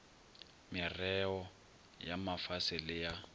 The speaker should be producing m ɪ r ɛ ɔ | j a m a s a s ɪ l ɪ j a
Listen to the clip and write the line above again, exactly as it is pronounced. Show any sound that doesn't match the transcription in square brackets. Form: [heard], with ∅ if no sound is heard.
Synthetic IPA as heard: m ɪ r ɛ ɔ | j a m a [f] a s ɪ l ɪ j a